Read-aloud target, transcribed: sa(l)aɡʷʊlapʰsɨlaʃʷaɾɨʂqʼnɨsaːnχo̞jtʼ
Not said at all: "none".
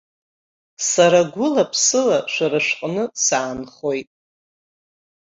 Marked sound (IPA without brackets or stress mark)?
ɾ